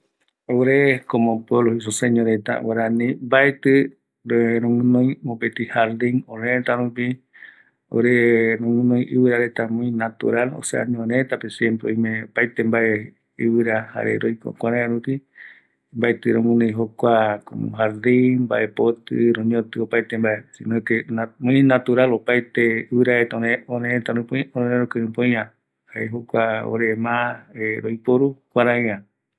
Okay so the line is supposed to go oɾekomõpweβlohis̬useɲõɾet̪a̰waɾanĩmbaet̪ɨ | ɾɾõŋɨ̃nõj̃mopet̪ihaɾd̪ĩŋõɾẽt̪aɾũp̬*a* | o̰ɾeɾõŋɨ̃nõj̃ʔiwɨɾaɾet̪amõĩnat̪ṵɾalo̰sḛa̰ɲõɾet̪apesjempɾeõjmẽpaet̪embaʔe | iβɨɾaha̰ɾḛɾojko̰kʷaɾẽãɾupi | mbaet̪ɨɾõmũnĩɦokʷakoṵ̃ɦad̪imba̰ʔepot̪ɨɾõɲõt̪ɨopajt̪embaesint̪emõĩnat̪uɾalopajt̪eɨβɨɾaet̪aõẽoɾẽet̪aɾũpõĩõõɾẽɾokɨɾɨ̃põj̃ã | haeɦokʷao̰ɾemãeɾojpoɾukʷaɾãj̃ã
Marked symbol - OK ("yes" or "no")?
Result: no